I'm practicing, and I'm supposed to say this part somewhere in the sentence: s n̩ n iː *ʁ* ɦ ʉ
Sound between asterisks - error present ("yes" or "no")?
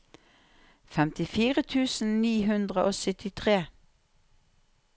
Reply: yes